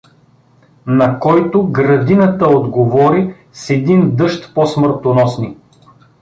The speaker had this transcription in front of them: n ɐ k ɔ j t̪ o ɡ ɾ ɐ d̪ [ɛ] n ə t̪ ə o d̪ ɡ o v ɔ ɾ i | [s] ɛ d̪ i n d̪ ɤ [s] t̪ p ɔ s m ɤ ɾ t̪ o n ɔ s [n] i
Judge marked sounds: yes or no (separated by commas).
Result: no, yes, no, yes